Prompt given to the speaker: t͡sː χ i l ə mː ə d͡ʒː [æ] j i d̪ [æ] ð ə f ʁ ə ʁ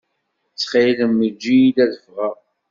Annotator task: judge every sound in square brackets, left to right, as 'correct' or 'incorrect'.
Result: incorrect: i, correct

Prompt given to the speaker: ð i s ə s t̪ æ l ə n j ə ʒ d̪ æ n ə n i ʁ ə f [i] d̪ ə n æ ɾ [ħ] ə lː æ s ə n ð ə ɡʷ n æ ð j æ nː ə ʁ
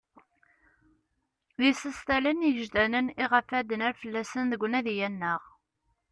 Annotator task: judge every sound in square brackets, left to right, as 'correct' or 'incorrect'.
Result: incorrect: æ, incorrect: f

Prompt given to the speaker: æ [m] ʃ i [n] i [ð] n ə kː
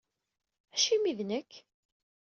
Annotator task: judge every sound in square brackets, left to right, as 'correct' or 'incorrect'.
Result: incorrect: none, incorrect: m, correct

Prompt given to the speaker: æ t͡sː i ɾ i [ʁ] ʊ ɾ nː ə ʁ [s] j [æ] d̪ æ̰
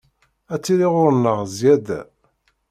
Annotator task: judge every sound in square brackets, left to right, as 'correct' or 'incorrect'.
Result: correct, incorrect: z, correct

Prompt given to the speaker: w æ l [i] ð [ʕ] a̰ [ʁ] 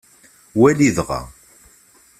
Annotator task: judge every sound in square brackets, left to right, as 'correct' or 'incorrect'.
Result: correct, incorrect: ʁ, incorrect: none

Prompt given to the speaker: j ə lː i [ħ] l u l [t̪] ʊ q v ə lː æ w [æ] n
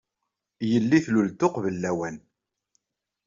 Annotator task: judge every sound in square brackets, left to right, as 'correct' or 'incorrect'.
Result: incorrect: θ, correct, correct

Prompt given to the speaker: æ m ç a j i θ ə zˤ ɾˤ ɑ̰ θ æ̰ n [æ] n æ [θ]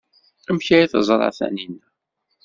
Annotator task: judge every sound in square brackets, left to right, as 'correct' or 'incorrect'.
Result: incorrect: i, incorrect: none

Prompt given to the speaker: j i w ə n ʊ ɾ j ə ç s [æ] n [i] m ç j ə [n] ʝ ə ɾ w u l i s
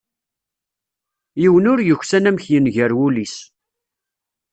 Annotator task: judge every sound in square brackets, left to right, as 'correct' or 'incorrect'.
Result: correct, incorrect: æ, correct

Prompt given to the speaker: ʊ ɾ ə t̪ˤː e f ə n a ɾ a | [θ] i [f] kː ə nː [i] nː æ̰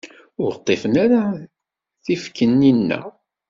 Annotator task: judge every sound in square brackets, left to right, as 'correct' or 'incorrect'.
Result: correct, correct, correct

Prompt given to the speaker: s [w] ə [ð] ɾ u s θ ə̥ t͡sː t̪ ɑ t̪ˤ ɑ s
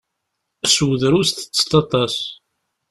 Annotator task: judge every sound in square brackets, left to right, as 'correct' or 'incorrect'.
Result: correct, correct

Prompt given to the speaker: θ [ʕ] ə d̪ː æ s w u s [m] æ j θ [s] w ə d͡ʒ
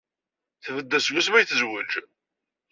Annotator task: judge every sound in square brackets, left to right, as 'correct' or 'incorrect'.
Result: incorrect: v, correct, incorrect: z

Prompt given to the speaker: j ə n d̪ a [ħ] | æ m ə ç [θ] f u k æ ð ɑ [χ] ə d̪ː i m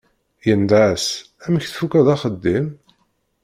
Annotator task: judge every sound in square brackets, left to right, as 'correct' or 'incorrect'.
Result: incorrect: s, correct, correct

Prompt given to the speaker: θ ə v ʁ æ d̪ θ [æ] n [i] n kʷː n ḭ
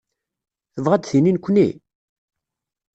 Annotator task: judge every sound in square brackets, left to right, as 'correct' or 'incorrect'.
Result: incorrect: i, correct

